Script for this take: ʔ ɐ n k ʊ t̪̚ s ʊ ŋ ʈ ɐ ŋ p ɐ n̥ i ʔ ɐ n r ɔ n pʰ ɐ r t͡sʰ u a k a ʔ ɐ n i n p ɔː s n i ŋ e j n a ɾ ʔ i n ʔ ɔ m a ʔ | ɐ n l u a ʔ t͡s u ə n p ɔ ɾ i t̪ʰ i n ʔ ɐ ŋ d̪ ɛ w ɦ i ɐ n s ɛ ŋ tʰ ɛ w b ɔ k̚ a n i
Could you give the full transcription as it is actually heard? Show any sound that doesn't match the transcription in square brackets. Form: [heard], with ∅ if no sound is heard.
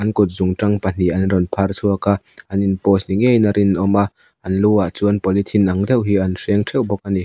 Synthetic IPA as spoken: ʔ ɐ n k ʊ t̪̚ [z] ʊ ŋ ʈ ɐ ŋ p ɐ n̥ i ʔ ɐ n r ɔ n pʰ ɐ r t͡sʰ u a k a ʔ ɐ n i n p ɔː s n i ŋ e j n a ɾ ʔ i n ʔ ɔ m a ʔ | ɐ n l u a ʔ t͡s u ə n p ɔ [l] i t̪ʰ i n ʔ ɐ ŋ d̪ ɛ w ɦ i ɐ n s ɛ ŋ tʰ ɛ w b ɔ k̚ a n i